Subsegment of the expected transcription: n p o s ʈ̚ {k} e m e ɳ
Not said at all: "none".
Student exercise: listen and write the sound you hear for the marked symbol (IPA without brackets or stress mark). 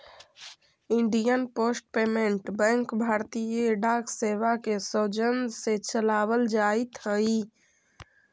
p